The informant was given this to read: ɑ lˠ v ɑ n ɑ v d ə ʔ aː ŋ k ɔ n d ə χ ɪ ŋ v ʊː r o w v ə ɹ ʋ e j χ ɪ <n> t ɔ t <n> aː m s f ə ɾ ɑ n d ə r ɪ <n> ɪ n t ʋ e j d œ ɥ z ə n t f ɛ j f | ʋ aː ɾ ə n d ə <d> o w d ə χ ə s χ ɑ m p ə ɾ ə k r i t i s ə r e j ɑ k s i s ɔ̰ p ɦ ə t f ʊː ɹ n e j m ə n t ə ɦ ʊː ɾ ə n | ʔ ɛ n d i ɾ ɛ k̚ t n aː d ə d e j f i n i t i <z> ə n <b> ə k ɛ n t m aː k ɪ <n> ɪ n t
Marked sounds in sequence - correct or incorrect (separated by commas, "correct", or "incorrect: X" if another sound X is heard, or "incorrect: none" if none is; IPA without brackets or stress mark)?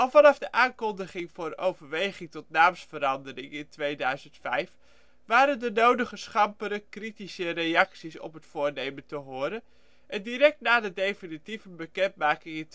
incorrect: ŋ, correct, incorrect: ŋ, incorrect: n, incorrect: v, correct, incorrect: ŋ